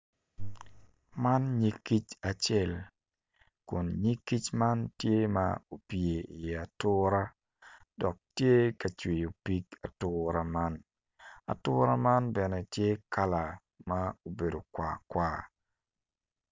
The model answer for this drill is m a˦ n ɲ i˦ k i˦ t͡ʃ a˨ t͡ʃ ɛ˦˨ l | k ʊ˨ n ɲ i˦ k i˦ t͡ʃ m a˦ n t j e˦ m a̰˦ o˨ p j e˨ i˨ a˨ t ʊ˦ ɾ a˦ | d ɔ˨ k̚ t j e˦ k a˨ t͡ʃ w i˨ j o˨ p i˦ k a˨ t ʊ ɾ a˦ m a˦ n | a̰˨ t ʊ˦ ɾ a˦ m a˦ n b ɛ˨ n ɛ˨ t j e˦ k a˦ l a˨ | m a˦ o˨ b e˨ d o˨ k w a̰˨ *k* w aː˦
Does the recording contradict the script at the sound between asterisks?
no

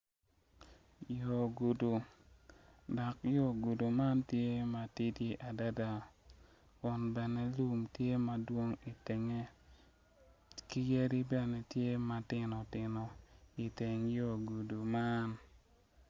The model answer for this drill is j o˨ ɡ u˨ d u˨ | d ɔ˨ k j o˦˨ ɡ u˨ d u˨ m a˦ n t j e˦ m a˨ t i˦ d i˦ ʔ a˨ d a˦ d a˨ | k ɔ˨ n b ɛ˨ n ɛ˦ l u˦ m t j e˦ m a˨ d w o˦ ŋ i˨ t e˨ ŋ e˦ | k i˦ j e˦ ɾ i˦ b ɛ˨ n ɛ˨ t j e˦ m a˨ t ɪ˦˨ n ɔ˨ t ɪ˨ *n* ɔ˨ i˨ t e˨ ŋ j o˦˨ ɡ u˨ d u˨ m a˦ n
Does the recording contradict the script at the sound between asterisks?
no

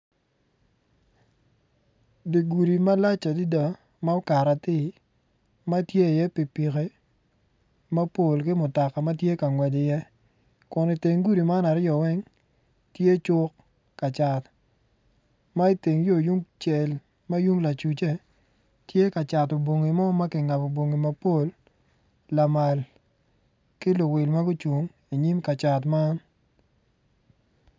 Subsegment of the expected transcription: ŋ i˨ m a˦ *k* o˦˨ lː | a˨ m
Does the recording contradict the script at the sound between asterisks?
yes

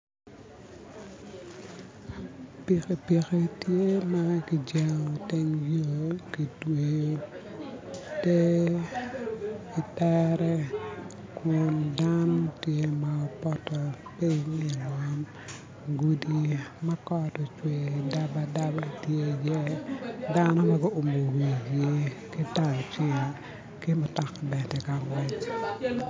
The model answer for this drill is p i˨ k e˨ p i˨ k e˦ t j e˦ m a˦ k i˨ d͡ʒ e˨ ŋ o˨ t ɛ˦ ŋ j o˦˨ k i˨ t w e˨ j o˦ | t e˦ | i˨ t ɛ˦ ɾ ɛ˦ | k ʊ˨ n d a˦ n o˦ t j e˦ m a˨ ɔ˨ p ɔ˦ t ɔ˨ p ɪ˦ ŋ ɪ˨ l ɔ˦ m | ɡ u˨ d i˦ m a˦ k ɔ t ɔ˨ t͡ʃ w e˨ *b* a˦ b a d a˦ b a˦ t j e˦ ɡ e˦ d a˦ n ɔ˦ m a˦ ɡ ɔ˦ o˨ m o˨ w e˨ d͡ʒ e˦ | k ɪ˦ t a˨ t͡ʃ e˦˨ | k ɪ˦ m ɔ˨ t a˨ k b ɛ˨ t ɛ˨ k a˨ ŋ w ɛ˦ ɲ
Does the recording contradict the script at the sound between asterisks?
yes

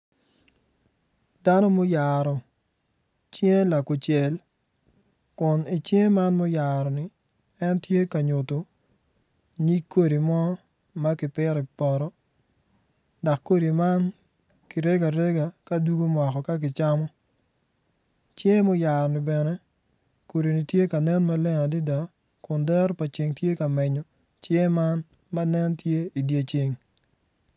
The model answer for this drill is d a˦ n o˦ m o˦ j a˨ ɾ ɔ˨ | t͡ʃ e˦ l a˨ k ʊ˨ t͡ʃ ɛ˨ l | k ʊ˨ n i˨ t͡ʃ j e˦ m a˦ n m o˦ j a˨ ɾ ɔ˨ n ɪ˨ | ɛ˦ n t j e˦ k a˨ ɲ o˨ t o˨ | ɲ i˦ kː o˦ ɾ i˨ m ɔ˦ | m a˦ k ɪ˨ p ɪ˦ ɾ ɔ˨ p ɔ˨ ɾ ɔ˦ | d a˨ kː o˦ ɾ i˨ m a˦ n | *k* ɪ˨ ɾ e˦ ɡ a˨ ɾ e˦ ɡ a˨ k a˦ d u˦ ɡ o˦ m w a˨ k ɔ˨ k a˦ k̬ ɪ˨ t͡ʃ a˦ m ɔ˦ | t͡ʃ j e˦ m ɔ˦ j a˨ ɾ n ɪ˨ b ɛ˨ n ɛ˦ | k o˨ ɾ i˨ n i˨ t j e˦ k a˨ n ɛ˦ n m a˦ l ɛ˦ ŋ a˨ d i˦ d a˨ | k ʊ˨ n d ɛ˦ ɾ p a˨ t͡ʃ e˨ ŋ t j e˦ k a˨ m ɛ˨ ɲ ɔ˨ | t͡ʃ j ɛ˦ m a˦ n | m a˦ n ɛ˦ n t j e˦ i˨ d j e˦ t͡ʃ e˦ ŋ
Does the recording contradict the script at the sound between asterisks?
no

